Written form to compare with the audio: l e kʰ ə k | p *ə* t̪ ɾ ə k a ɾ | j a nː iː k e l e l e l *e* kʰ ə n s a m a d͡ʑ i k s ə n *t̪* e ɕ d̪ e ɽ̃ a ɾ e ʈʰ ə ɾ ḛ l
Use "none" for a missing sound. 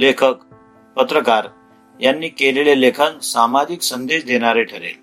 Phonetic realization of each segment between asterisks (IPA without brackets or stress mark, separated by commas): ə, e, d̪